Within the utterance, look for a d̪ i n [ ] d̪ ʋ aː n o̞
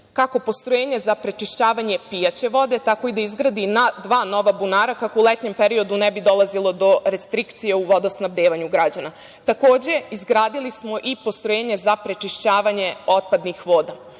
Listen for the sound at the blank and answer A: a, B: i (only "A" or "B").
A